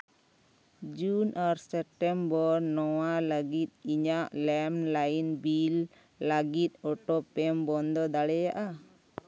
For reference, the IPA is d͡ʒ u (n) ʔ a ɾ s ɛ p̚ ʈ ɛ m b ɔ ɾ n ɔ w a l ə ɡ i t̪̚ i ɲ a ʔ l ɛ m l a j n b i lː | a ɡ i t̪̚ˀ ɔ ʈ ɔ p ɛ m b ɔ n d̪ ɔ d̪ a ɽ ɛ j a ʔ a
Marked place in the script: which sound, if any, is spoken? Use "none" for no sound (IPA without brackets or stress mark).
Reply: n